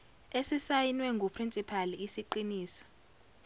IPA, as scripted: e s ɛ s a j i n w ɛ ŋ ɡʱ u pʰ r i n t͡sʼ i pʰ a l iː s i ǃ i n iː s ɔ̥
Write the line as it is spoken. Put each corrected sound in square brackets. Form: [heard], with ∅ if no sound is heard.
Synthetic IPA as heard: e s [i] s a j i n w ɛ ŋ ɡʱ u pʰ r i n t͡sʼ i pʰ a l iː s i ǃ i n iː s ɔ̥